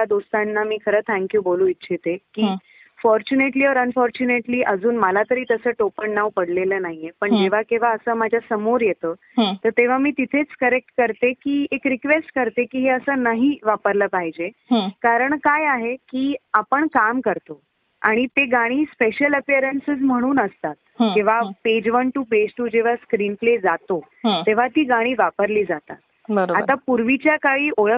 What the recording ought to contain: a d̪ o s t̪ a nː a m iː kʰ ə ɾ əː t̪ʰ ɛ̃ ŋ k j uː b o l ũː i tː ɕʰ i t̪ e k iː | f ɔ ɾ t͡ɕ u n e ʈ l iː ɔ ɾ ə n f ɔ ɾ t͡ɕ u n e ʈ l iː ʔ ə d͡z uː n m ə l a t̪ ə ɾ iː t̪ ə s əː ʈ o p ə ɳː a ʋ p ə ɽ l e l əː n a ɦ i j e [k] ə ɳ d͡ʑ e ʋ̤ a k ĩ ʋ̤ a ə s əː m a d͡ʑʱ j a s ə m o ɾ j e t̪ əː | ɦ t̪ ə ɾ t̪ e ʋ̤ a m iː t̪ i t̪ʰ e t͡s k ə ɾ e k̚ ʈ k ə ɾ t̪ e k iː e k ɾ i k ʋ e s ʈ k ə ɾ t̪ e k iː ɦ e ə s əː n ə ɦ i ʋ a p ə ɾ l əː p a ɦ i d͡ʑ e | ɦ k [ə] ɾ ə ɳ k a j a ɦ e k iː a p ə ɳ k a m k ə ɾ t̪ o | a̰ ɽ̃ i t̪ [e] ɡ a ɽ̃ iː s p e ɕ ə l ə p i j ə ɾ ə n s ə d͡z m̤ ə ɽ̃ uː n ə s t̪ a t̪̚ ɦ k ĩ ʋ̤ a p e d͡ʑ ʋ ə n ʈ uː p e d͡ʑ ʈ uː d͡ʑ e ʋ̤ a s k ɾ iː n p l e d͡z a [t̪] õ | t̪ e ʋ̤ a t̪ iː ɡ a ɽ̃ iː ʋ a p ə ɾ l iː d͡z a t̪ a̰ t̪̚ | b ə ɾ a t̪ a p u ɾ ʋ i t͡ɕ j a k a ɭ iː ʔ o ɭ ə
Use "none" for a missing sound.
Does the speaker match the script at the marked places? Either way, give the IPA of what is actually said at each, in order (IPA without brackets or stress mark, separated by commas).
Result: p, a, e, t̪